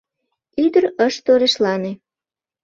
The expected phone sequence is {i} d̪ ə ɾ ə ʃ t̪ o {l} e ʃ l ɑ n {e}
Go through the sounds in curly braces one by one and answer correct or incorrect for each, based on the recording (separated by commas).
incorrect, incorrect, correct